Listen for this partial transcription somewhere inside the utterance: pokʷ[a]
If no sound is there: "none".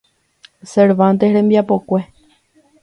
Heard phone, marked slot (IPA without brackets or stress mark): e